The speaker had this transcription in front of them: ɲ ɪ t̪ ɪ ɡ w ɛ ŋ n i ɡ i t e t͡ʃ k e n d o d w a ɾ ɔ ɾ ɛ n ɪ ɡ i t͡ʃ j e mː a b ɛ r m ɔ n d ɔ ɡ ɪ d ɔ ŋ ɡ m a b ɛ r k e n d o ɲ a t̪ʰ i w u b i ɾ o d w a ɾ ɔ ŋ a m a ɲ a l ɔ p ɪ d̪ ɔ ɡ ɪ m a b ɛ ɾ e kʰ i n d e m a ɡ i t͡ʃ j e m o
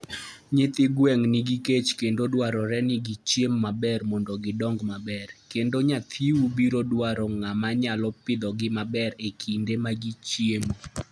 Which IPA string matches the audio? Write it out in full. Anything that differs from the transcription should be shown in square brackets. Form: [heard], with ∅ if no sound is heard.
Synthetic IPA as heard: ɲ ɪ t̪ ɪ ɡ w ɛ ŋ n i ɡ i [k] e t͡ʃ k e n d o d w a ɾ ɔ ɾ ɛ n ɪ ɡ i t͡ʃ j e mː a b ɛ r m ɔ n d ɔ ɡ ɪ d ɔ ŋ ɡ m a b ɛ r k e n d o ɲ a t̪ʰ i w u b i ɾ o d w a ɾ ɔ ŋ a m a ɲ a l ɔ p ɪ d̪ ɔ ɡ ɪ m a b ɛ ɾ e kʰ i n d e m a ɡ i t͡ʃ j e m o